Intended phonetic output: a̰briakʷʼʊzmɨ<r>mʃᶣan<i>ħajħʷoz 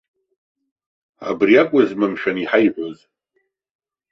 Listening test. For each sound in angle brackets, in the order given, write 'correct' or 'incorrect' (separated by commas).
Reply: incorrect, correct